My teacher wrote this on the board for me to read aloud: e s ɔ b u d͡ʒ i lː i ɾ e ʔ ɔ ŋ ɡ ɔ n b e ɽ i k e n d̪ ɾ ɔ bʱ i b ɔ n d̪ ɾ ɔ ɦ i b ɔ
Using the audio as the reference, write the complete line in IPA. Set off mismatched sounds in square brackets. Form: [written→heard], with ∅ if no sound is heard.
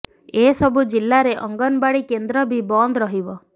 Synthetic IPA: e s ɔ b u d͡ʒ i lː [i→a] ɾ e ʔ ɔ ŋ ɡ ɔ n b [e→a] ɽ i k e n d̪ ɾ ɔ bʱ i b ɔ n d̪ ɾ ɔ ɦ i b ɔ